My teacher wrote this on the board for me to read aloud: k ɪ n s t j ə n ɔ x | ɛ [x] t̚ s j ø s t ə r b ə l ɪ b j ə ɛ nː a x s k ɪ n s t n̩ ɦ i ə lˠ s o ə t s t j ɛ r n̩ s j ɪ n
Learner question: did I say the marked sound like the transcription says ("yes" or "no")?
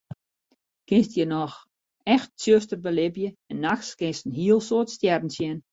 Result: yes